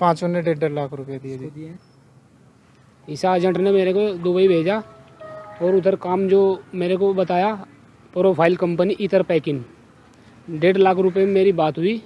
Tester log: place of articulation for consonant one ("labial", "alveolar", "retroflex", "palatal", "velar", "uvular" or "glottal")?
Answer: labial